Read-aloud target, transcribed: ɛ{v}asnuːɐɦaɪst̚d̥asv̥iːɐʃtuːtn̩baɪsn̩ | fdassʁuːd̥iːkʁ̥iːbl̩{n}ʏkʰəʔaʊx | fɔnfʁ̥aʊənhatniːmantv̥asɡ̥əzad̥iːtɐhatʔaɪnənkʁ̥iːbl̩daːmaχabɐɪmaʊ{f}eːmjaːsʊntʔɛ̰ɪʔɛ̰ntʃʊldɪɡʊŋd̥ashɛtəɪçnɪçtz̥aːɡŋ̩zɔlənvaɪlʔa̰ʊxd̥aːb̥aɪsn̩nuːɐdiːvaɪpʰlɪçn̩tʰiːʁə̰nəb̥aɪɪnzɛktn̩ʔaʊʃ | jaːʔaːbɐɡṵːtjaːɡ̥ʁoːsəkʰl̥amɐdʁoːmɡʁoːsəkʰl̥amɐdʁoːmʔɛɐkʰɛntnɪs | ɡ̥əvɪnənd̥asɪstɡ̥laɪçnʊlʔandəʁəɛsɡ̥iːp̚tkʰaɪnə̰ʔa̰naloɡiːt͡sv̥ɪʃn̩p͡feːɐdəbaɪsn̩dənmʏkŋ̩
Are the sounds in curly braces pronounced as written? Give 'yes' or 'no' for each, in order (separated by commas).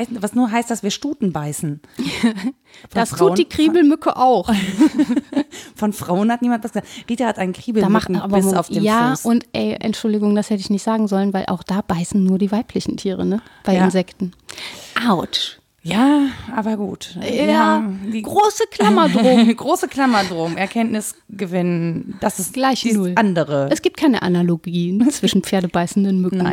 yes, no, yes